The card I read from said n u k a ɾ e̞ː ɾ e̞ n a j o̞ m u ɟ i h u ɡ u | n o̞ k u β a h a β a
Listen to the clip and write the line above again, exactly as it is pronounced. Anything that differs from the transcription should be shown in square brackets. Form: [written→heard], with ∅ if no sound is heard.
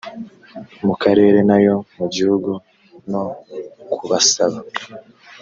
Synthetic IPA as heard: [n→m] u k a ɾ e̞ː ɾ e̞ n a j o̞ m u ɟ i h u ɡ u | n o̞ k u β a [h→s] a β a